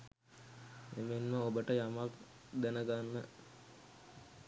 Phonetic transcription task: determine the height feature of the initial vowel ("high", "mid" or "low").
mid